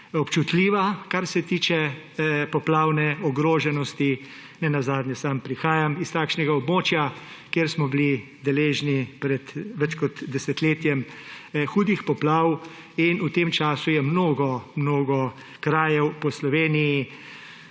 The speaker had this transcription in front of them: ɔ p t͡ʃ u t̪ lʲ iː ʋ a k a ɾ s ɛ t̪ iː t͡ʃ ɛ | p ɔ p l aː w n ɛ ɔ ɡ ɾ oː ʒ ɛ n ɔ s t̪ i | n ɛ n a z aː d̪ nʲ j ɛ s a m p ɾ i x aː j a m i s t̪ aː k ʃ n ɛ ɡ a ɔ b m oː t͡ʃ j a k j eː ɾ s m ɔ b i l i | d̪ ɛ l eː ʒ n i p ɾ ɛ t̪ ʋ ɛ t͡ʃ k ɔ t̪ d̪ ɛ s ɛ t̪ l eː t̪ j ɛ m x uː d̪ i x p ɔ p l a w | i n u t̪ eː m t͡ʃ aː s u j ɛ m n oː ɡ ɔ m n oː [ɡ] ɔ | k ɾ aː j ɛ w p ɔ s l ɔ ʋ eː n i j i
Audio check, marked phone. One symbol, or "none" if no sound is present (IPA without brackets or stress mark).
ɡ